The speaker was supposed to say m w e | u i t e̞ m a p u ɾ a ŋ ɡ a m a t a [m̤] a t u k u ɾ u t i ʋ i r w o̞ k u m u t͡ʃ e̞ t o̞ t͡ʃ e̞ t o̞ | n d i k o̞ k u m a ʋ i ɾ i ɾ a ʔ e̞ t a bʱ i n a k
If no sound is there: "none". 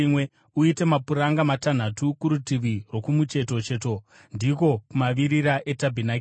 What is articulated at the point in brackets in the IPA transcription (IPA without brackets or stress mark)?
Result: n̤